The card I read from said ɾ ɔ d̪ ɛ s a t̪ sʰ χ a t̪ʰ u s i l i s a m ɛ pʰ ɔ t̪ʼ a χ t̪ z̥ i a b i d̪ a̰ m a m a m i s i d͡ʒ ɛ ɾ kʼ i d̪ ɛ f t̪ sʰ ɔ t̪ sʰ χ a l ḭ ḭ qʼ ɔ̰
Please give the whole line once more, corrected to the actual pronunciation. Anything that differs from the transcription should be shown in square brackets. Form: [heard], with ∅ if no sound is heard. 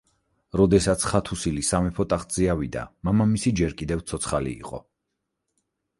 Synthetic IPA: ɾ ɔ d̪ ɛ s a t̪ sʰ χ a t̪ʰ u s i l i s a m ɛ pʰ ɔ t̪ʼ a χ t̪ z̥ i a [v] i d̪ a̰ m a m a m i s i d͡ʒ ɛ ɾ kʼ i d̪ ɛ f t̪ sʰ ɔ t̪ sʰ χ a l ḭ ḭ qʼ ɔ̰